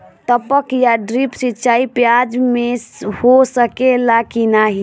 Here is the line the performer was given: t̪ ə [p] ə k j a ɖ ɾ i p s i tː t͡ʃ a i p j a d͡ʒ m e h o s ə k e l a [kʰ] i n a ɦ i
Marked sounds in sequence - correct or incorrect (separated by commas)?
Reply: correct, incorrect